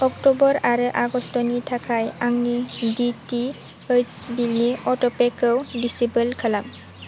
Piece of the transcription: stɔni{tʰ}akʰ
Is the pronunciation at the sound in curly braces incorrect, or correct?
correct